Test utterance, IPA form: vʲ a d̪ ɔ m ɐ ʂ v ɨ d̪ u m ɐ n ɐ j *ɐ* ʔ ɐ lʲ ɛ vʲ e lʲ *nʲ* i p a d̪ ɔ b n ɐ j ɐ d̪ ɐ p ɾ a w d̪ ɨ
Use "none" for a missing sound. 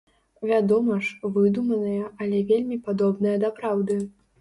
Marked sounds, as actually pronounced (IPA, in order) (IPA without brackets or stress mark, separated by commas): ɐ, mʲ